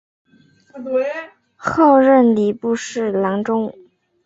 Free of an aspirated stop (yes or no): yes